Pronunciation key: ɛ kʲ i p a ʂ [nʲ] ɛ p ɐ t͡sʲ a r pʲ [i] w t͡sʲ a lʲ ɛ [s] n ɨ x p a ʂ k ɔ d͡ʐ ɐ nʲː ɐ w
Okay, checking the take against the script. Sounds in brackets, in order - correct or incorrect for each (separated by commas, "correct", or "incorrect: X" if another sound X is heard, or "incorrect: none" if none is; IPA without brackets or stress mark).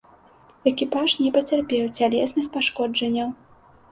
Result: correct, incorrect: ɛ, correct